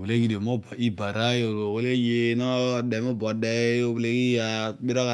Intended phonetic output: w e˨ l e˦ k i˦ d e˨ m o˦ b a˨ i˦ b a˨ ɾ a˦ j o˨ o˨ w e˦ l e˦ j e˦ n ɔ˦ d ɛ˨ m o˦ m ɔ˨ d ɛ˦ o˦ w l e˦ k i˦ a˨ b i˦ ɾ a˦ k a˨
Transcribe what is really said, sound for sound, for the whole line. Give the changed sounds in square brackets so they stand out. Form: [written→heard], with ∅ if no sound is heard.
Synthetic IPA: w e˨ l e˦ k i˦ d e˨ m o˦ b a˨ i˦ b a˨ ɾ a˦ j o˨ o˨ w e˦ l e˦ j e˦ n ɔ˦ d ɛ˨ m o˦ [m→b] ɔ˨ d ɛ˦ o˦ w l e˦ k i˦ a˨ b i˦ ɾ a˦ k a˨